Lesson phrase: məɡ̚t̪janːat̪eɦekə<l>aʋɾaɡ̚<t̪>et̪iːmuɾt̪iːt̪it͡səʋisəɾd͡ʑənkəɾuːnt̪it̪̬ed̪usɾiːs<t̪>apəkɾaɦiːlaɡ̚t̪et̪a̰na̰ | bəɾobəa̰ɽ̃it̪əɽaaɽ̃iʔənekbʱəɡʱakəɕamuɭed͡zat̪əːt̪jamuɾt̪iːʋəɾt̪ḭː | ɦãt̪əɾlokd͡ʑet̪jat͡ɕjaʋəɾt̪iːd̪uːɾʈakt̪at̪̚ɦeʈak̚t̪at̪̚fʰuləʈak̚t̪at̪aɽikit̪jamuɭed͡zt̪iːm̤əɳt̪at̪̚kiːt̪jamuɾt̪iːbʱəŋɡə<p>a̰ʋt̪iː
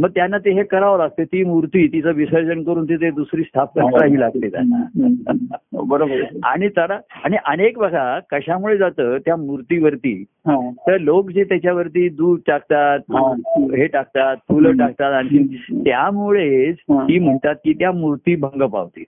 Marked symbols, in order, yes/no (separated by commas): no, yes, no, yes